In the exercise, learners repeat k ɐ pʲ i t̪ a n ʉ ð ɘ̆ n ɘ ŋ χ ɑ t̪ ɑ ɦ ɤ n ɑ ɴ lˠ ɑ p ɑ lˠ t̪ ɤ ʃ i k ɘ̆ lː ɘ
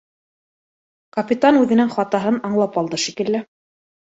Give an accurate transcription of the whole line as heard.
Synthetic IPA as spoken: k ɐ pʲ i t̪ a n ʉ ð ɘ̆ n ɘ ŋ χ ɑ t̪ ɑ ɦ ɤ n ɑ ɴ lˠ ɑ p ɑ lˠ d̪ ɤ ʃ i k ɘ̆ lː ɘ